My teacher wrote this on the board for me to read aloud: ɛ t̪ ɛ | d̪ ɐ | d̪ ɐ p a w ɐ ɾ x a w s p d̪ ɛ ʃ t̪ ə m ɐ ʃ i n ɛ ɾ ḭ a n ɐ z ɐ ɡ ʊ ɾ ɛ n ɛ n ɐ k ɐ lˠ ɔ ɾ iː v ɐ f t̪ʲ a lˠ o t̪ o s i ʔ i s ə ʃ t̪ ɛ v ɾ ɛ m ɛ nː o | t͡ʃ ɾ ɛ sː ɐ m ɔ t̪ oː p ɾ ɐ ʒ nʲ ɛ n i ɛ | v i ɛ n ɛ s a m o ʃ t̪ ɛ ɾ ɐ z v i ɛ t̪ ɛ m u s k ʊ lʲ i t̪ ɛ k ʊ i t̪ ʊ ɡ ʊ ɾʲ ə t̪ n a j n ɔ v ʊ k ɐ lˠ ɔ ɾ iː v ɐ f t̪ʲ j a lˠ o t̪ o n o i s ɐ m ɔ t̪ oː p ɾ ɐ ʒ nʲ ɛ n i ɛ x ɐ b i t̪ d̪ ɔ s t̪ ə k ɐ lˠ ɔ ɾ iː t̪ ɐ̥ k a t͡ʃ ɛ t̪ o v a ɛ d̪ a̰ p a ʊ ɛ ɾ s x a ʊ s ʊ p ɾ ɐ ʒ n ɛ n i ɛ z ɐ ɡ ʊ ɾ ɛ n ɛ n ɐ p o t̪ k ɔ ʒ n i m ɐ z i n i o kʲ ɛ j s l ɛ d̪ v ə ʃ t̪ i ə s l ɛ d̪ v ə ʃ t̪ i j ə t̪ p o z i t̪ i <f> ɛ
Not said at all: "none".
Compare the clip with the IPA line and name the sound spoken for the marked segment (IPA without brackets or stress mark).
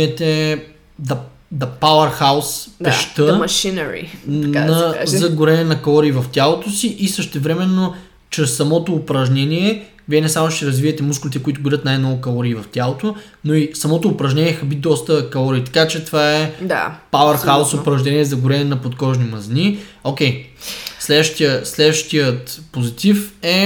f